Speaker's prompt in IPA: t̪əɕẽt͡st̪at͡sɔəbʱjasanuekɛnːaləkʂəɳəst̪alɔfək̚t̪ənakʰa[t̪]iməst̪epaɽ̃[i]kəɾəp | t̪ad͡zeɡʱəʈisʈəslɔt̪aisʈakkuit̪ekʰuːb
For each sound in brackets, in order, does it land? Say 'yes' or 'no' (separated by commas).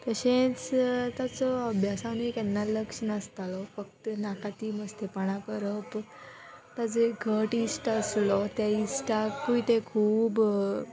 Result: yes, no